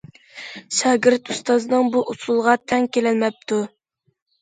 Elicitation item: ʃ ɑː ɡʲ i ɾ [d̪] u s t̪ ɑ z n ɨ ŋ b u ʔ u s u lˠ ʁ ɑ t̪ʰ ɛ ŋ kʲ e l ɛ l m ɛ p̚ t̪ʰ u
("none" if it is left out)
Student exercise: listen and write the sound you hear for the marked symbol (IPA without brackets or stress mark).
t̪